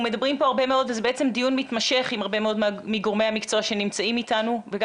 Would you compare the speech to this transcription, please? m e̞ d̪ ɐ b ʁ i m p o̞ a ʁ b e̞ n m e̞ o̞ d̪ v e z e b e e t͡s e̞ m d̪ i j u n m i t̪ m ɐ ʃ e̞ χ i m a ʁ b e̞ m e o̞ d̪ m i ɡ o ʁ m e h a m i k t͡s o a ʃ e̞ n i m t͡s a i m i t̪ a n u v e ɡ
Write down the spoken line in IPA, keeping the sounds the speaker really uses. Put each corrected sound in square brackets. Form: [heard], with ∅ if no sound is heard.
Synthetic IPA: m e̞ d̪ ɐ b ʁ i m p o̞ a ʁ b e̞ [∅] m e̞ o̞ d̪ v e z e b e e t͡s e̞ m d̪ i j u n m i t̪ m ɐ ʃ e̞ χ i m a ʁ b e̞ m e o̞ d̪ m i ɡ o ʁ m e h a m i k t͡s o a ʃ e̞ n i m t͡s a i m i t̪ a n u v e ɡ